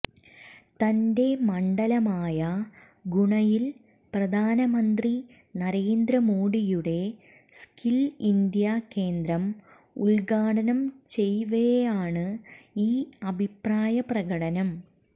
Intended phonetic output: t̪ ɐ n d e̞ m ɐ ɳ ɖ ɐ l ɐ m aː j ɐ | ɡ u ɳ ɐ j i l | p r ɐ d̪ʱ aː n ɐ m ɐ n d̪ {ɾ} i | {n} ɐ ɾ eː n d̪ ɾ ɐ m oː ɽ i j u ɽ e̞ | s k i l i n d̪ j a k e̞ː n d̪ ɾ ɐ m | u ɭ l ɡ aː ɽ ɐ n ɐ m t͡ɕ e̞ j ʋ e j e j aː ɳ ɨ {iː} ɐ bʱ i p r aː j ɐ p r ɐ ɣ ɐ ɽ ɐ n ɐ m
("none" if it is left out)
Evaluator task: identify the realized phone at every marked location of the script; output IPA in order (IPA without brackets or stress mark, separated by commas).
r, n, iː